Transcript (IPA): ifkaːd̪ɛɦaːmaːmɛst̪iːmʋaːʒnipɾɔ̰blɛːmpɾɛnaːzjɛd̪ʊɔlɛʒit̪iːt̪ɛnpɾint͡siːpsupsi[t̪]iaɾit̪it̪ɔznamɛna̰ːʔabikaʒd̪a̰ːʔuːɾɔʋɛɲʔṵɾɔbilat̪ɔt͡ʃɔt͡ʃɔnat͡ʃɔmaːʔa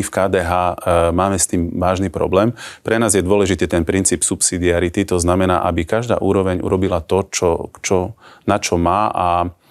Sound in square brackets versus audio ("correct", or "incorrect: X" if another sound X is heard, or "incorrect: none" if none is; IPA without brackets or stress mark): incorrect: d̪